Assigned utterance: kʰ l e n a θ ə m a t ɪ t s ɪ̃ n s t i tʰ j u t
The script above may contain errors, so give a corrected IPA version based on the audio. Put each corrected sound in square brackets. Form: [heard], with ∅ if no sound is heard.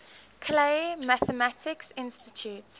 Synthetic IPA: kʰ l e [m] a θ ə m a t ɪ [k] s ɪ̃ n s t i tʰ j u t